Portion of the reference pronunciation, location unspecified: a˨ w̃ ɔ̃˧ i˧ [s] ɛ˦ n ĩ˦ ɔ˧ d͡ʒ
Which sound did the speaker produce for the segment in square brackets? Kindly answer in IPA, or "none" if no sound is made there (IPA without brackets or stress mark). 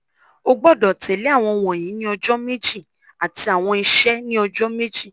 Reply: ʃ